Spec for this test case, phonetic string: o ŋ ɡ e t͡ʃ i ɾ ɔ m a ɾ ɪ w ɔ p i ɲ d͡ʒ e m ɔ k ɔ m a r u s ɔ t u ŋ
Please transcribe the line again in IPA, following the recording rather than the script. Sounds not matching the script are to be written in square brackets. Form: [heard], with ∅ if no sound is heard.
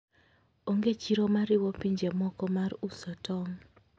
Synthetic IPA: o ŋ ɡ e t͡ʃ i ɾ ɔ m a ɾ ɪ w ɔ p i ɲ d͡ʒ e m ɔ k ɔ m a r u s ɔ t [ɔ] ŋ